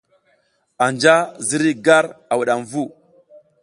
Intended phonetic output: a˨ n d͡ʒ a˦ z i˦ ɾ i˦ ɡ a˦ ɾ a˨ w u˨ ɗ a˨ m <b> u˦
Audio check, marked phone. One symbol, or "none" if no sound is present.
v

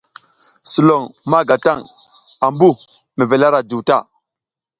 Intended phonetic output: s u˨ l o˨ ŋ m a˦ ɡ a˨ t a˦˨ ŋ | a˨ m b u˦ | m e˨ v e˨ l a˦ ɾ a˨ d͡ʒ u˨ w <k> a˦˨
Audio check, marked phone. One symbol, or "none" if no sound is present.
t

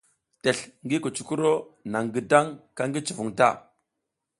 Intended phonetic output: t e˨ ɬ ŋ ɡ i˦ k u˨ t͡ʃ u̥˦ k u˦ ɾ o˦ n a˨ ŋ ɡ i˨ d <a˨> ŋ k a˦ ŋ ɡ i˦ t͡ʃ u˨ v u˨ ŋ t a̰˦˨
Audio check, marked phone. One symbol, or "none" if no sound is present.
a˦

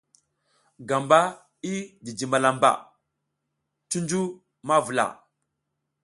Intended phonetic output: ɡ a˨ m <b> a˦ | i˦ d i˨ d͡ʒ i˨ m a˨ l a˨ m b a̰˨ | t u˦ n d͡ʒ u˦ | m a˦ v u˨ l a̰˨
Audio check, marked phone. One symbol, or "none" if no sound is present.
b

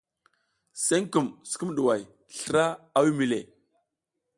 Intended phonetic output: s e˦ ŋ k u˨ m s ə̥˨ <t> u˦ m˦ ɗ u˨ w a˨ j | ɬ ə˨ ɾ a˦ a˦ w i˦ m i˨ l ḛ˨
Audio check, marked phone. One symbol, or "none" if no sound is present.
k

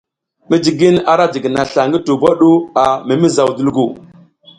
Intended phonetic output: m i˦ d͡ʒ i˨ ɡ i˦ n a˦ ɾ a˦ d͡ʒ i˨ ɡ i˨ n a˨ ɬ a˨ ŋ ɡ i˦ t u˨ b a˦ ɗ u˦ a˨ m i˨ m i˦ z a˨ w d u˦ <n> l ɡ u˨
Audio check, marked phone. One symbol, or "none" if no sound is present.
none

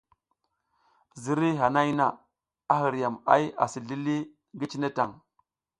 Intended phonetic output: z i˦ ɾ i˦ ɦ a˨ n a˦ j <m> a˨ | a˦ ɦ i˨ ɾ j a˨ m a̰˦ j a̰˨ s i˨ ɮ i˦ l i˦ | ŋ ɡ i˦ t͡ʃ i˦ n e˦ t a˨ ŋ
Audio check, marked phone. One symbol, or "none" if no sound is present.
n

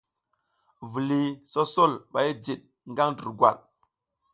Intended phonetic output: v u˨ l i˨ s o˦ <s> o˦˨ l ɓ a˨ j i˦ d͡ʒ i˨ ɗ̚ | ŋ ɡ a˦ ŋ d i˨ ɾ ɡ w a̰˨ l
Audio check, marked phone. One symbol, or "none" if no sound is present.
s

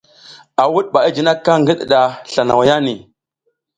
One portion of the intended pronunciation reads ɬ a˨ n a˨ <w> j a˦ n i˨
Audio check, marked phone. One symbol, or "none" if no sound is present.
w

